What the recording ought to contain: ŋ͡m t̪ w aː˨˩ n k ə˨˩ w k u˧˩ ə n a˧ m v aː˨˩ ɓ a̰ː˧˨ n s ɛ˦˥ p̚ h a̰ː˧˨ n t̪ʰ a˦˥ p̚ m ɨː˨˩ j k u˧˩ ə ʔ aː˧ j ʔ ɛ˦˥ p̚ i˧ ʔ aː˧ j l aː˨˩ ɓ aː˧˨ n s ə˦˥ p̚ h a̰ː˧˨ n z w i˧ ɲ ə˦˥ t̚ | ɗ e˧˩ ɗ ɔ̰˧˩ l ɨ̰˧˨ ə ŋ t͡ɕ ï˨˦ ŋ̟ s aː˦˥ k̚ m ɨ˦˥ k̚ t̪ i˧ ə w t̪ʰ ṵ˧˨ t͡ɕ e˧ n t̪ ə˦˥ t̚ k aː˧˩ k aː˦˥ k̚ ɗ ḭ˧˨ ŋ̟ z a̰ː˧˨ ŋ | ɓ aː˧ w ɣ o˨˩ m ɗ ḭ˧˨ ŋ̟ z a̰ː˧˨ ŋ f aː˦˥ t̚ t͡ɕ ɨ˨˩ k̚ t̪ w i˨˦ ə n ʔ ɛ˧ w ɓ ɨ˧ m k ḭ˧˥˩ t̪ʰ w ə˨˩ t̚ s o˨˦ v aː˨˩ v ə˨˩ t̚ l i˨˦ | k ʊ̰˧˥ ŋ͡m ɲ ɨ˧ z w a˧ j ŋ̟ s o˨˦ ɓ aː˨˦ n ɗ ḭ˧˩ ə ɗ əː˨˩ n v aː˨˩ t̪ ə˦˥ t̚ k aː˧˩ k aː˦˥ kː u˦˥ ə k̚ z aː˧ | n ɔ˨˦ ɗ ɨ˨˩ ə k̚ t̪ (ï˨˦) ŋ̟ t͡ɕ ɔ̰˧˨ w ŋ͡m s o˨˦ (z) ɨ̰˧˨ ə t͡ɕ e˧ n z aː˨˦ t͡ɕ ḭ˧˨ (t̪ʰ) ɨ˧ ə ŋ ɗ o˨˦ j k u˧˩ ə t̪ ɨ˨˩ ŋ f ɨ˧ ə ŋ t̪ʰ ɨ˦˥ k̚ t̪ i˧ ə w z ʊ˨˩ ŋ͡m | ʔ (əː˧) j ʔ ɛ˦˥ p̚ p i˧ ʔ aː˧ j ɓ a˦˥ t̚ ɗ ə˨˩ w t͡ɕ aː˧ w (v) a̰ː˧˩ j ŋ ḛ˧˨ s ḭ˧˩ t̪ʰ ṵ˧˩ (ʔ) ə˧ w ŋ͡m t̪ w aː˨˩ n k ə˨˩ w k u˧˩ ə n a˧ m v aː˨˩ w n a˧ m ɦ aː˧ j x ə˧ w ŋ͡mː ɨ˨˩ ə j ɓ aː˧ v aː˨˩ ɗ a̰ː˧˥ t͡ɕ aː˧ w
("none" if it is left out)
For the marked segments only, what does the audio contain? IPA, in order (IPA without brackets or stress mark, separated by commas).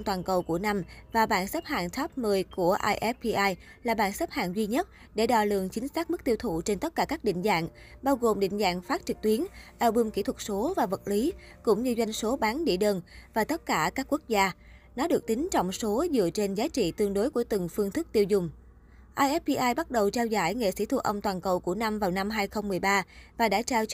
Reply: ï˨˦, z, t̪, aː˧, z, ʔ